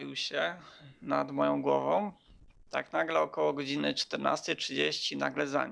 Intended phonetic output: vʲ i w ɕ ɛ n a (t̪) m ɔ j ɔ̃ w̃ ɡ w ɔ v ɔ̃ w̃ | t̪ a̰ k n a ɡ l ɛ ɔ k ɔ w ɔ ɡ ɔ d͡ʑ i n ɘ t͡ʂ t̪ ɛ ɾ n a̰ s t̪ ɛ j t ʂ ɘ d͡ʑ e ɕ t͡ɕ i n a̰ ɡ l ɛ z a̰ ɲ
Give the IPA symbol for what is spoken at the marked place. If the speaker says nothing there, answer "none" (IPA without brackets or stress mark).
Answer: d̪